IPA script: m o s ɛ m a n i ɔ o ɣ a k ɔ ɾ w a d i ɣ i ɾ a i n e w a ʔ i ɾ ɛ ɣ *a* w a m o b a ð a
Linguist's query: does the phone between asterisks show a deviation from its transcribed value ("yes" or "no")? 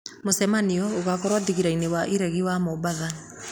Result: yes